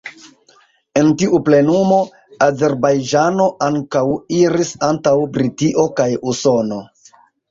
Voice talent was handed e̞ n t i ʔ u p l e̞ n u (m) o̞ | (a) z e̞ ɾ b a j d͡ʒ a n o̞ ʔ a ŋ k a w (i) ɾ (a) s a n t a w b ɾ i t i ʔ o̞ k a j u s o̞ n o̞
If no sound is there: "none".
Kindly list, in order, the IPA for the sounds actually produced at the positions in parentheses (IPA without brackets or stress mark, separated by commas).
m, a, i, i